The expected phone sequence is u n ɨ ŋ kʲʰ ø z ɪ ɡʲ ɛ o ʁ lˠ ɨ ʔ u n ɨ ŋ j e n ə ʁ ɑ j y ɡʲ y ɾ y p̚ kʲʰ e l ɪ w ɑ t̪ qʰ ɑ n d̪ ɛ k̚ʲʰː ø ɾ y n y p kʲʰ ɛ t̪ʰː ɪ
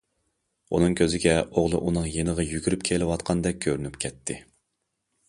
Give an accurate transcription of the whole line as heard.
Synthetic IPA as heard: u n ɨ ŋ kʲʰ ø z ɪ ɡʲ ɛ o ʁ lˠ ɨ ʔ u n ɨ ŋ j e n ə ʁ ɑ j y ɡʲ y ɾ y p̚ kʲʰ e l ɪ w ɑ t̪ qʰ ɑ n d̪ ɛ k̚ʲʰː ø ɾ y n y p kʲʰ ɛ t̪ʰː ɪ

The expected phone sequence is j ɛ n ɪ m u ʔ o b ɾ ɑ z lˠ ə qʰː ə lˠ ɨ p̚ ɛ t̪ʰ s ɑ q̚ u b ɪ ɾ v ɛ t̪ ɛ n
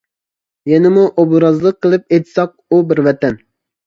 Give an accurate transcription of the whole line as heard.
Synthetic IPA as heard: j ɛ n ɪ m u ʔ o b ɾ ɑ z lˠ ə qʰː ə lˠ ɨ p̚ e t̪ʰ s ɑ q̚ u b ɪ ɾ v ɛ t̪ ɛ n

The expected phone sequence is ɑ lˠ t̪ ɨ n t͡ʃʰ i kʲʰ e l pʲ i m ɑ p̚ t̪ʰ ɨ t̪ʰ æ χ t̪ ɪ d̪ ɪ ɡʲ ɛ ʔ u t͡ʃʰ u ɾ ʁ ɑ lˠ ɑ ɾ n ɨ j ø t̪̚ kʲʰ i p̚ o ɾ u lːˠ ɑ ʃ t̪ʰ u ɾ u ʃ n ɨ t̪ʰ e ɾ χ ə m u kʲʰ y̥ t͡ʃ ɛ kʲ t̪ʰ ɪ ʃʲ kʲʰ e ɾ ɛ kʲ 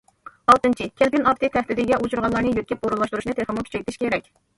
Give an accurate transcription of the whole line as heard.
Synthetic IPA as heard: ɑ lˠ t̪ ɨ n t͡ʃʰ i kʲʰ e l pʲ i n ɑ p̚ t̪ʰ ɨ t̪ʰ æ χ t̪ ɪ d̪ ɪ ɡʲ ɛ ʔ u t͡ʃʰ u ɾ ʁ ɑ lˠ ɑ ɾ n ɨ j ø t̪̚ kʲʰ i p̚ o ɾ u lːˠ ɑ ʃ t̪ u ɾ u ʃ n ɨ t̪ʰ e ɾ χ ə m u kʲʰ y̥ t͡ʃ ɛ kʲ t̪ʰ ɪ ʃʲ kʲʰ e ɾ ɛ kʲ

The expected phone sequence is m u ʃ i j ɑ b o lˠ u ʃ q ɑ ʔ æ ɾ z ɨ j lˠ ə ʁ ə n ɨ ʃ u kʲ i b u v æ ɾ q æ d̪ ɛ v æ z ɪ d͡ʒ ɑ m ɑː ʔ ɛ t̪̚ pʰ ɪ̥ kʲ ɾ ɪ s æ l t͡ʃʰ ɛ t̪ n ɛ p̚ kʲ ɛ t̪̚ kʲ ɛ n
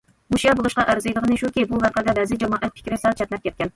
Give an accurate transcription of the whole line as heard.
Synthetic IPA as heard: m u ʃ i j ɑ b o lˠ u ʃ q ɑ ʔ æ ɾ z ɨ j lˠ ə ʁ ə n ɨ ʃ u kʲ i b u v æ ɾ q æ d̪ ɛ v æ z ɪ d͡ʒ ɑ m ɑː ʔ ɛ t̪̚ pʰ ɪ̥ kʲ ɾ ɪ s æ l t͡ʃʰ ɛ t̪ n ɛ p̚ kʲ ɛ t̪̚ kʲ ɛ n

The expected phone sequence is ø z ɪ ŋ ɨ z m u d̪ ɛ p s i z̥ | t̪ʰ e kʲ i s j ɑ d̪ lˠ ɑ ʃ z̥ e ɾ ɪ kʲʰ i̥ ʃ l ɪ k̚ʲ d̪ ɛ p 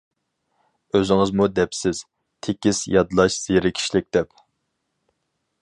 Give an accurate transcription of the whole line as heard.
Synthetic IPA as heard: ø z ɪ ŋ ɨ z m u d̪ ɛ p s ɪ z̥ | t̪ʰ e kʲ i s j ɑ d̪ lˠ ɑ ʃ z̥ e ɾ ɪ kʲʰ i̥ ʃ l ɪ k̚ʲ d̪ ɛ p

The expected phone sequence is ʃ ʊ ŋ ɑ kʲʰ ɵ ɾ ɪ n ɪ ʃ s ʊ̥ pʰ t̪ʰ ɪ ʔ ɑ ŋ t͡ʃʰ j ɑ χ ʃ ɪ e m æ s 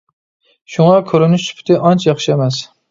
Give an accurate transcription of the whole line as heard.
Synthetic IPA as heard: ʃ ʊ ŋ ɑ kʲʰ ɵ ɾ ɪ n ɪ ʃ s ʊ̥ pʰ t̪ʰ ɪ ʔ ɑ n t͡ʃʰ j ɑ χ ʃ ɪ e m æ s

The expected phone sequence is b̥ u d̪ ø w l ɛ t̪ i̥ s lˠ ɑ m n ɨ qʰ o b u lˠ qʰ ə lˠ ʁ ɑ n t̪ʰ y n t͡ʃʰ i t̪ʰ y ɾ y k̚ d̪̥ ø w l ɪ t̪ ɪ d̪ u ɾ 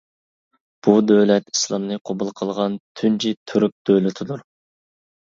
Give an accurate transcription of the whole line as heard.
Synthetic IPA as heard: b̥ u d̪ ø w l ɛ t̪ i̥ s lˠ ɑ m n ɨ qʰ o b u lˠ qʰ ə lˠ ʁ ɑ n t̪ʰ y n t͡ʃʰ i t̪ʰ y ɾ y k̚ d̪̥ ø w l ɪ t̪ʰ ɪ d̪ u ɾ

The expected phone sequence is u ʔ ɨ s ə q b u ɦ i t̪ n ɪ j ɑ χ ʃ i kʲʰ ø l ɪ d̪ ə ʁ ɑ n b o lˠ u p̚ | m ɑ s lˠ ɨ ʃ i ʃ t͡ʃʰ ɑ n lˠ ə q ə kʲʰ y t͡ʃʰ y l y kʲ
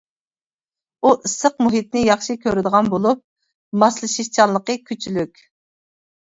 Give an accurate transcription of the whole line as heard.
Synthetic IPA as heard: u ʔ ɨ s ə q m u ɦ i t̪ n ɪ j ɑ χ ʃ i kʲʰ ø ɾ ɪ d̪ ə ʁ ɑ n b o lˠ u p̚ | m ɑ s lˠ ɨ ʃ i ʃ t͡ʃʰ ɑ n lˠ ə q ə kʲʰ y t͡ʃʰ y l y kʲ

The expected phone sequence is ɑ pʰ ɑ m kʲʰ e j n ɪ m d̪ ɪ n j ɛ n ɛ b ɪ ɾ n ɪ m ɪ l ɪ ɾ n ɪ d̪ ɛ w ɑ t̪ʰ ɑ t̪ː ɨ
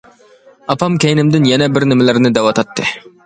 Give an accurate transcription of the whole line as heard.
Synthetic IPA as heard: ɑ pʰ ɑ m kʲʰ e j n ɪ m d̪ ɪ n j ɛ n ɛ b ɪ ɾ n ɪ m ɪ l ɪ ɾ n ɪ d̪ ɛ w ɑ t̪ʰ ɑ t̪ː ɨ

